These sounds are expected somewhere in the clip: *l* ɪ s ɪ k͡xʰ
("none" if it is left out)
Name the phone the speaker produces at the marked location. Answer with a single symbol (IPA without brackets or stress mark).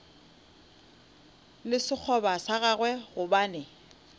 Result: l